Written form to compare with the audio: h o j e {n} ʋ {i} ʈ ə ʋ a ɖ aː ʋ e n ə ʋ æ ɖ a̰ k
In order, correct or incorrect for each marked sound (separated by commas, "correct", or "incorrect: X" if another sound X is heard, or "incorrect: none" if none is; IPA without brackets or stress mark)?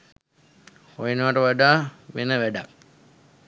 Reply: correct, incorrect: a